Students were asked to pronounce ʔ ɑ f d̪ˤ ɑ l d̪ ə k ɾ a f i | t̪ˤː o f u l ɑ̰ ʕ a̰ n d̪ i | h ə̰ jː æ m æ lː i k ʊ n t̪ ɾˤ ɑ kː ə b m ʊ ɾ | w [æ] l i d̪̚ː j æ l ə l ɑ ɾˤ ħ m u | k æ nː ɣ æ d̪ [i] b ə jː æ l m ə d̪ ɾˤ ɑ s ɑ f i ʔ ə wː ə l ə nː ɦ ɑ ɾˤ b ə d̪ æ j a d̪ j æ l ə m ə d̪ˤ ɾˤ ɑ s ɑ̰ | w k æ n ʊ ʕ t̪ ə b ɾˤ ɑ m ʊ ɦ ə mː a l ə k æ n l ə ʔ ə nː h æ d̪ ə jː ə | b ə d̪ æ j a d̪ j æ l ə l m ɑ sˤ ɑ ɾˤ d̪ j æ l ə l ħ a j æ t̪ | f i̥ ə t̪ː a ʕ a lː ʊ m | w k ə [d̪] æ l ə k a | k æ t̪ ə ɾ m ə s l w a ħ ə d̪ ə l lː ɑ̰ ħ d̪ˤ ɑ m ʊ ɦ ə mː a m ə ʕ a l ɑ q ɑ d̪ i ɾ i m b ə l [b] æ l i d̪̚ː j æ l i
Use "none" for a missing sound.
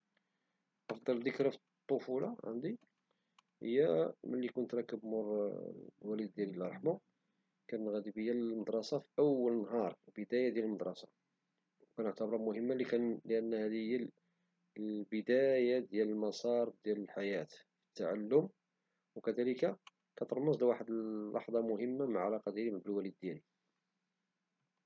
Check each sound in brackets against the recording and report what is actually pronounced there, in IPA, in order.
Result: æ, i, d̪, w

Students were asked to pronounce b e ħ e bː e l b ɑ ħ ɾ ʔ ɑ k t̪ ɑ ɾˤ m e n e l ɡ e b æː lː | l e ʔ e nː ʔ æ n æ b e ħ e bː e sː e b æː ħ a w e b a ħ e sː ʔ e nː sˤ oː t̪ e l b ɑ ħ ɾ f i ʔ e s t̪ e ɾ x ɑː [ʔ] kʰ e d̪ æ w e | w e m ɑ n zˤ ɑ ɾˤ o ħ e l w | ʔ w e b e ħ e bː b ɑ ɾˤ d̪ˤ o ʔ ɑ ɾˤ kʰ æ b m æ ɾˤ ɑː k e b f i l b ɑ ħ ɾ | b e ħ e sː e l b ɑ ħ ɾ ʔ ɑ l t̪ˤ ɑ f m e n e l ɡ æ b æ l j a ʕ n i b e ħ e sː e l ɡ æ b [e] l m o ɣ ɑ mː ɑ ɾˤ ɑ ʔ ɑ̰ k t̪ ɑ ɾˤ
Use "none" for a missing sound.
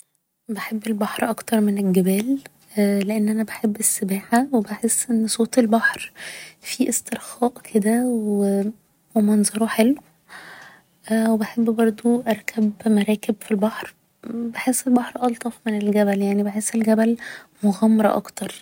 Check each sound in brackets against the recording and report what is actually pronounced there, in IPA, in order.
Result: ʔ, æ

